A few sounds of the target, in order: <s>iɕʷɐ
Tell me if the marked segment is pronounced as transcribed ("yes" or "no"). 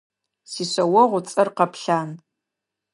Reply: yes